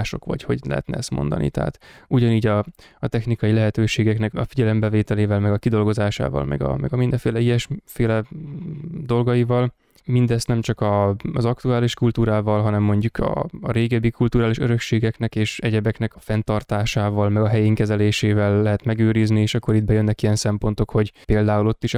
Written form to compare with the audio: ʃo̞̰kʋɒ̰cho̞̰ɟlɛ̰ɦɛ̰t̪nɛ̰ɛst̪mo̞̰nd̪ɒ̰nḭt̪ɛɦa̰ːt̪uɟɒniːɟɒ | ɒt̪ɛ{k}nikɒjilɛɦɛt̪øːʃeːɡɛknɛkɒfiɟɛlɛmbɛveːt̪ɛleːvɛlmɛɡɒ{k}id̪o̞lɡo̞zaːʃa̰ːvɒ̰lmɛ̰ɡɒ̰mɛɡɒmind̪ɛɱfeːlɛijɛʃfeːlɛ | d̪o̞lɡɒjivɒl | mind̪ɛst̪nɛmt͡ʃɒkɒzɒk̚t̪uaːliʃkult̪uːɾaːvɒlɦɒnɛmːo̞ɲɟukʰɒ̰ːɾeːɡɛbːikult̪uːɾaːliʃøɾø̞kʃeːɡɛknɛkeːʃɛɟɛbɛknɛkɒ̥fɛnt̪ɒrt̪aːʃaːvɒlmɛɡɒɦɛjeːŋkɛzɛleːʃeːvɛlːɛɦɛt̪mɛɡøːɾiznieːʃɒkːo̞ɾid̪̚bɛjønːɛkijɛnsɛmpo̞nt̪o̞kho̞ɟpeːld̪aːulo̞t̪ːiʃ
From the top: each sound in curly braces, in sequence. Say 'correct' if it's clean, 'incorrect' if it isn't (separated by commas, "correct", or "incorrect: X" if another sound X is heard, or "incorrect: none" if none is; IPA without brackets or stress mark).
incorrect: x, correct